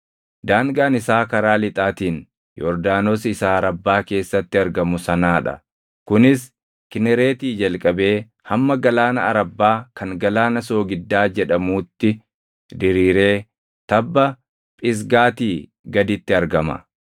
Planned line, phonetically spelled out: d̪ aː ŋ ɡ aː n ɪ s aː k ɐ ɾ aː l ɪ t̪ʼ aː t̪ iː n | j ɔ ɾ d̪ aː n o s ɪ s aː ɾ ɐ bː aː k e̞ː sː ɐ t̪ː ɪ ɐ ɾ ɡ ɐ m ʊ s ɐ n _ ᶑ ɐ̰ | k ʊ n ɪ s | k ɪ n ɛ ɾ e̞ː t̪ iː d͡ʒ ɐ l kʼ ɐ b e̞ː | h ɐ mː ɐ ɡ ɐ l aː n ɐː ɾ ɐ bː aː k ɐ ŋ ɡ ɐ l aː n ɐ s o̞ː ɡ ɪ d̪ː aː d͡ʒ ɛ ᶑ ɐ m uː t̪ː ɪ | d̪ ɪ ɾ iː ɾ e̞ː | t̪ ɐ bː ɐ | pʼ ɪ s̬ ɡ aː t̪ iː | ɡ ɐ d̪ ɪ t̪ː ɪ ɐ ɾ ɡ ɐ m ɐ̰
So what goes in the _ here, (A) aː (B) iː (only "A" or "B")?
A